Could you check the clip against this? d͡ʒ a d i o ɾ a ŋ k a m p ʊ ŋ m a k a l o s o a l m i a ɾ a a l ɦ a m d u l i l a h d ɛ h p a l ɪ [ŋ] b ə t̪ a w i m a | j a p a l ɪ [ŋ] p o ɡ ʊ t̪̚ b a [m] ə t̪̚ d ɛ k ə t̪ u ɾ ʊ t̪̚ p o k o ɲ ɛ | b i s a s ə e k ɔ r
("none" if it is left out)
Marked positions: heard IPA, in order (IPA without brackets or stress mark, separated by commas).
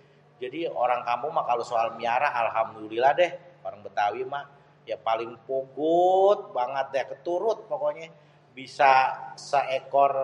ŋ, ŋ, ŋ